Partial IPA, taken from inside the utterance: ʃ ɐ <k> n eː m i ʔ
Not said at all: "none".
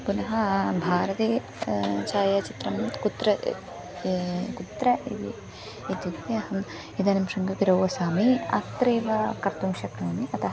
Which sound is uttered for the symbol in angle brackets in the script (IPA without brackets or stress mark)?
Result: k